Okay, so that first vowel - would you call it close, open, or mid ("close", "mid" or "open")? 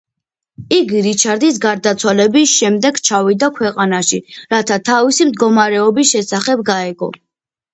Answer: close